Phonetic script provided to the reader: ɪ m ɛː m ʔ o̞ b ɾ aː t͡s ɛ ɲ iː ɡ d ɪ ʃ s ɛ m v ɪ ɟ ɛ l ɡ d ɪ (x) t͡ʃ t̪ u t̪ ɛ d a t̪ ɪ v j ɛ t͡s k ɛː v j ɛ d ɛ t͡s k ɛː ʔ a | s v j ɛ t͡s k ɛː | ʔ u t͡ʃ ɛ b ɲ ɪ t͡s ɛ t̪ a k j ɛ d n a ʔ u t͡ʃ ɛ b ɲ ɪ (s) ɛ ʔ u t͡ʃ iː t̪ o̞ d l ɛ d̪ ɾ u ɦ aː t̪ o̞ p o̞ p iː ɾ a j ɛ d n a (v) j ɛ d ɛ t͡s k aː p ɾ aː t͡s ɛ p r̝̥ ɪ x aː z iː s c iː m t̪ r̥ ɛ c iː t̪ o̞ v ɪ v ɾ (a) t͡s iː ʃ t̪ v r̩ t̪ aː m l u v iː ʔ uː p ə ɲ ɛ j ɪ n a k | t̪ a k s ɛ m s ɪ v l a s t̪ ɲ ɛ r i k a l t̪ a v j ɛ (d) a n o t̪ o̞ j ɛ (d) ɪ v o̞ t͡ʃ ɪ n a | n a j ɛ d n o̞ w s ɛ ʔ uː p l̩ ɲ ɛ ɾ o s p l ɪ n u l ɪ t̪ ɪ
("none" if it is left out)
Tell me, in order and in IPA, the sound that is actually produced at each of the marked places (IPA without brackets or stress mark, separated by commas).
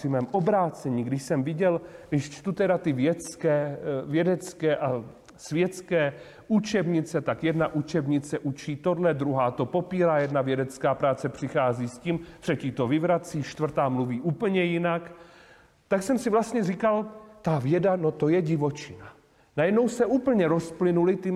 ʃ, t͡s, v, a, d, ɟ